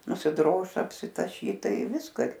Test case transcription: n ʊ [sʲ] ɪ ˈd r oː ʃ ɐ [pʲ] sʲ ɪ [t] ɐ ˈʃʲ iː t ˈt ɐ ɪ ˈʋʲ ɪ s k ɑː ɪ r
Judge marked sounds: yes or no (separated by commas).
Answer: yes, yes, yes